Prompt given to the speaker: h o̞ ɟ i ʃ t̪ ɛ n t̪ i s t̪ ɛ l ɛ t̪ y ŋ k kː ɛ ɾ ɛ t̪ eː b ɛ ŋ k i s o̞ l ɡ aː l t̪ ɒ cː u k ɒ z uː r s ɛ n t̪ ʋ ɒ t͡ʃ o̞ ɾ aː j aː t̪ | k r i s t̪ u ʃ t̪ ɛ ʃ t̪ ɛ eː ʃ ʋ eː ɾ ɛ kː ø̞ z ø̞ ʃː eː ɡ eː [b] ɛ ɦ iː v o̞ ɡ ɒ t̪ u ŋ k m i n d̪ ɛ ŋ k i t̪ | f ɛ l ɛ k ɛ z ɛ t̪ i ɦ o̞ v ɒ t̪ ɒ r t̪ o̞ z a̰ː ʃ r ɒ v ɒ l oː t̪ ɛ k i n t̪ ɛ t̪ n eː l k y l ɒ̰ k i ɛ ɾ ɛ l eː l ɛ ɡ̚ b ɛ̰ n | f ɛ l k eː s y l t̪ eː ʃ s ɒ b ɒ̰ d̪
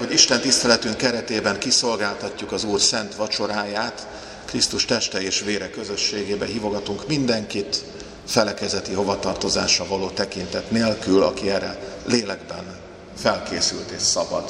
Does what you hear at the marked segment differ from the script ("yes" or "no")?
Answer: no